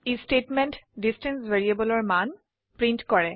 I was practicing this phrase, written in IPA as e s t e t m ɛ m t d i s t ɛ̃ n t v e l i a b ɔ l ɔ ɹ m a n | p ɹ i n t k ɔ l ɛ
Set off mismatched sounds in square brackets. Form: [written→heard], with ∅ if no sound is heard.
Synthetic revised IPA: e s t e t m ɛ [m→n] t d i s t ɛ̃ n [t→s] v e [l→ɹ] i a b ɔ l ɔ ɹ m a n | p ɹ i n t k ɔ [l→ɹ] ɛ